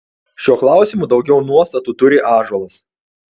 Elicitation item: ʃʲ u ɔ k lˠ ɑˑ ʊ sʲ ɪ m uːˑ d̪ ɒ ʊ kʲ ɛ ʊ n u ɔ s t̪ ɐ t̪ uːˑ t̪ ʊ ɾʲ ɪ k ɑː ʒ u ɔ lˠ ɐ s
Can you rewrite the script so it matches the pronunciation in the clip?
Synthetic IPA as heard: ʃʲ u ɔ k lˠ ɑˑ ʊ sʲ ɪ m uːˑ d̪ ɒ ʊ ɡʲ ɛ ʊ n u ɔ s t̪ ɐ t̪ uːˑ t̪ ʊ ɾʲ ɪ ʔ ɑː ʒ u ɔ lˠ ɐ s